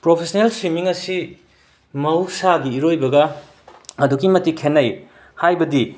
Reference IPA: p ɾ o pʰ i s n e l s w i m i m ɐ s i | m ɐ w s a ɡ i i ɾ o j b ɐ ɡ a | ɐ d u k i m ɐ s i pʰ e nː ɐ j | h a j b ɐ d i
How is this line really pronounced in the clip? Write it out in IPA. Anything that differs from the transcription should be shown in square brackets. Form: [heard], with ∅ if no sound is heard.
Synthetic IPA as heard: p ɾ o pʰ [e] s n e l s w i m i [ŋ] ɐ s i | m ɐ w s a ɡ i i ɾ o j b ɐ ɡ [ɐ] | ɐ d u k i m ɐ [t] i [kʰ] e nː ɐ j | h a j b ɐ d i